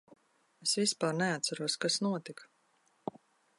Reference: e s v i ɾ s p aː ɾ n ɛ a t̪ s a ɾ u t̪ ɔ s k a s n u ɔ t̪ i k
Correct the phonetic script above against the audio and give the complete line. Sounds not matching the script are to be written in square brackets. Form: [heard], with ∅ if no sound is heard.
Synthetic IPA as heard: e s v i [∅] s p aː ɾ n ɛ a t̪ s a ɾ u [∅] ɔ s k a s n u ɔ t̪ i k